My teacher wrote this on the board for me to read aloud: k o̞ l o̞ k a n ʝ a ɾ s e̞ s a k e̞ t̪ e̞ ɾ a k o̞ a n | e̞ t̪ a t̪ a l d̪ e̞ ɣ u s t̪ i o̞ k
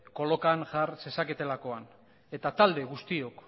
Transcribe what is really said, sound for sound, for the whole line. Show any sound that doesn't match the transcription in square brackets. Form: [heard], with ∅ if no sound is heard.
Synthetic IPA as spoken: k o̞ l o̞ k a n ʝ a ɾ s e̞ s a k e̞ t̪ e̞ [l] a k o̞ a n | e̞ t̪ a t̪ a l d̪ e̞ ɣ u s t̪ i o̞ k